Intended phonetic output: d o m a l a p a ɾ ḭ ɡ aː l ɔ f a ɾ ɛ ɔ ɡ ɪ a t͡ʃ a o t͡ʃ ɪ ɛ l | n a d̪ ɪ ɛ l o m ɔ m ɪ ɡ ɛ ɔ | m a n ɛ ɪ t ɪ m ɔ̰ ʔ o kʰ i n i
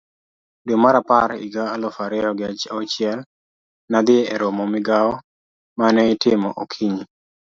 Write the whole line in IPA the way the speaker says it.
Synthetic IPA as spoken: d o m a ɾ a p a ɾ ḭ ɡ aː l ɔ f a ɾ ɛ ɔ ɡ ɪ a t͡ʃ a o t͡ʃ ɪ ɛ l | n a d̪ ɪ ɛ ɾ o m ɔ m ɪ ɡ a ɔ | m a n ɛ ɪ t ɪ m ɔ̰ ʔ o kʰ i ɲ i